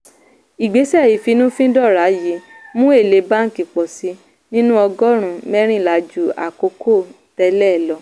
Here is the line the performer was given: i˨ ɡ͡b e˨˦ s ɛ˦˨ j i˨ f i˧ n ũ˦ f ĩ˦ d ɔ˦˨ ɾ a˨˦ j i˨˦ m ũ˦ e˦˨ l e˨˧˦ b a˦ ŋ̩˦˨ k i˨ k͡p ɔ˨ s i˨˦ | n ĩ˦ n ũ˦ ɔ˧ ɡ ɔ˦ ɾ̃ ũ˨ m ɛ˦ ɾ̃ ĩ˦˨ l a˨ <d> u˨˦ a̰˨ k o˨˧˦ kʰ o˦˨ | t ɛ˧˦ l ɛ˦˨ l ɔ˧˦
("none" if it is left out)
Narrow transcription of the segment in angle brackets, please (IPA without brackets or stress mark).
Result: d͡ʒ